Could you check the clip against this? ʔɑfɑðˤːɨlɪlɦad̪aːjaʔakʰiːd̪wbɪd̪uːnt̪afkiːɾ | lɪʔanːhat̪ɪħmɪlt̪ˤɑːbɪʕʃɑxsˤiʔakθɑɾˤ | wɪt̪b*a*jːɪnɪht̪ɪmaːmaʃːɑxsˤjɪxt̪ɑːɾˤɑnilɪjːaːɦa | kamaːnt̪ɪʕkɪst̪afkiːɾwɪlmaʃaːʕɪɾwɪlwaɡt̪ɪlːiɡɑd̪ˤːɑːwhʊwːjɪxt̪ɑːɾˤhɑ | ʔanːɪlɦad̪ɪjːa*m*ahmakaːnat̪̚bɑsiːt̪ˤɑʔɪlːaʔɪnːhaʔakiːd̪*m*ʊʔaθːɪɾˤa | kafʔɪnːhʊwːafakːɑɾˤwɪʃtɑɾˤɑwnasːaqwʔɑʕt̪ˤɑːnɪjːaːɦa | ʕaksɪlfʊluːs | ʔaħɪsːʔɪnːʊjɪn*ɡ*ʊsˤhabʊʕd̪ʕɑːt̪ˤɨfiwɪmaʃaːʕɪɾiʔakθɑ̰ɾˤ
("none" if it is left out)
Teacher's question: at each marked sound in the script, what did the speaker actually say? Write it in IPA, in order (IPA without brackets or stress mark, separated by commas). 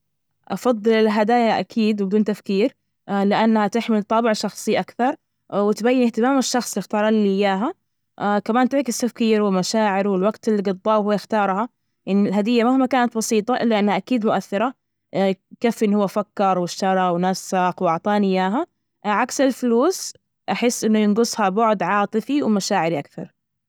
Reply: a, m, m, ɡ